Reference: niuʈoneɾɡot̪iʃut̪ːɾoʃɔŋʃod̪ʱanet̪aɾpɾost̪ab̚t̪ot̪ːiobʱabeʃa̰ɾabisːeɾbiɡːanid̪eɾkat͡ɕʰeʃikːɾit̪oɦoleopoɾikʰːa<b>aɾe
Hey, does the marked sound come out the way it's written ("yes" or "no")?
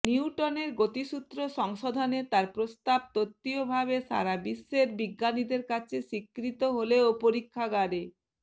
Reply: no